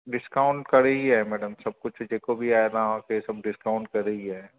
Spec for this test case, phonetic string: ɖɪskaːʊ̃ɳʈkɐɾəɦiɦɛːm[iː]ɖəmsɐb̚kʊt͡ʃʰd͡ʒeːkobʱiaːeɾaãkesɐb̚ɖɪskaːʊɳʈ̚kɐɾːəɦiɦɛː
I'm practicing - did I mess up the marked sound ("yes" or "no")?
yes